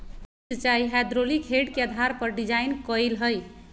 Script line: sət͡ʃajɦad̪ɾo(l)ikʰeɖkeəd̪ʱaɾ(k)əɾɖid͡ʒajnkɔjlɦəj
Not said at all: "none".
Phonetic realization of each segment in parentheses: l, p

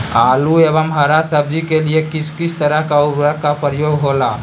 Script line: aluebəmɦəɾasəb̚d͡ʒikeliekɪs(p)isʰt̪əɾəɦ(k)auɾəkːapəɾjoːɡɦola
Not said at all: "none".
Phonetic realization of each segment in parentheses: k, k

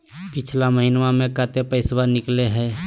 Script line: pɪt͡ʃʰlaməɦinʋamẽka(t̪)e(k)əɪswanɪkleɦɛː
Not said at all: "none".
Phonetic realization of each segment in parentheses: t̪, p

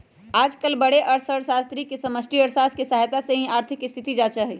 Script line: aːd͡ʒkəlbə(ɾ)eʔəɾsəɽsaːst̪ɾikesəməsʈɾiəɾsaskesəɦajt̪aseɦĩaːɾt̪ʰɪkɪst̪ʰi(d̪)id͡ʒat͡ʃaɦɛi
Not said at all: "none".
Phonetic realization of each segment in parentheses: ɽ, t̪

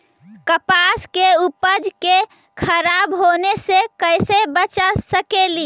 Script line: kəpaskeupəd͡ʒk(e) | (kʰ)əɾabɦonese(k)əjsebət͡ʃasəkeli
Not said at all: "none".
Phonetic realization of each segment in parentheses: e, kʰ, k

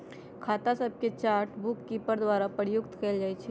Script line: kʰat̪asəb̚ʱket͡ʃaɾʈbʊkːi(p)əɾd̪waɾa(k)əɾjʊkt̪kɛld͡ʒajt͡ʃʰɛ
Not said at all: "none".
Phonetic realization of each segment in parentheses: p, p

